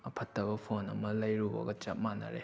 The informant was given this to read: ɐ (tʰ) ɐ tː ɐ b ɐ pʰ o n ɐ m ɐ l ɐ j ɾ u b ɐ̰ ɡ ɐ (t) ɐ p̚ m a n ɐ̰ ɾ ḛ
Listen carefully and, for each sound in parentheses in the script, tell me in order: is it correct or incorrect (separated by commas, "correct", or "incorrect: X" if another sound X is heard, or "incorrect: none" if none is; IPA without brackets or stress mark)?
incorrect: pʰ, incorrect: t͡ʃ